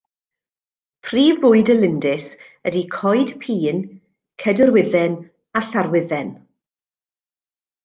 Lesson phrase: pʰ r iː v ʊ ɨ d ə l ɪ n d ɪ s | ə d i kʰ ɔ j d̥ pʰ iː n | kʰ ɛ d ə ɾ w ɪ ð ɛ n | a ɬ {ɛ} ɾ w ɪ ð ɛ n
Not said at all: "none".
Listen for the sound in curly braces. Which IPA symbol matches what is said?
a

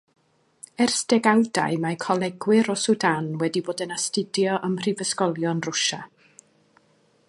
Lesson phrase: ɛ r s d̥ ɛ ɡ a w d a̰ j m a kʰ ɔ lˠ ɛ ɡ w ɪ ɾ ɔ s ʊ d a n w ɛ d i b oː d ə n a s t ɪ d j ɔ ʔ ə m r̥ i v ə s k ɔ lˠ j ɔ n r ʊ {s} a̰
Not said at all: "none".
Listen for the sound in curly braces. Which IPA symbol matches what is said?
ʃ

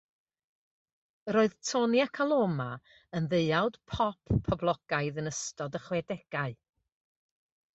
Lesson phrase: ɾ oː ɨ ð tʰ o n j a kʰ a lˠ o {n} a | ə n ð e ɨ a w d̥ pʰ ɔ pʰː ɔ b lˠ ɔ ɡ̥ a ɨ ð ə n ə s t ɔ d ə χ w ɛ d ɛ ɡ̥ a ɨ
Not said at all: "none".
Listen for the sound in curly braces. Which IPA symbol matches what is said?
m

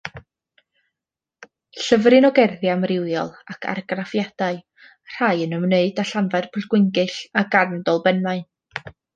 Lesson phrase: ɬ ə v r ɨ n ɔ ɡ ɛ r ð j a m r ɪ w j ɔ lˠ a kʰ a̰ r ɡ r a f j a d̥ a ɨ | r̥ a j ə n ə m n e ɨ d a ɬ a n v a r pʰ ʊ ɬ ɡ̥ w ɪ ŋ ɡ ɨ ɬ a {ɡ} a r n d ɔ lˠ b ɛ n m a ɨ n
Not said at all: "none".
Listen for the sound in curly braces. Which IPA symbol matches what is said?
ɡ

